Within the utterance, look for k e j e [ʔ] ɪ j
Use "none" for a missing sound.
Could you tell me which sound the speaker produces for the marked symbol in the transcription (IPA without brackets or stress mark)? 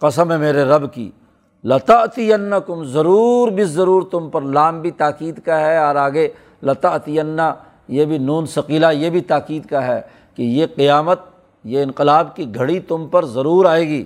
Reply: q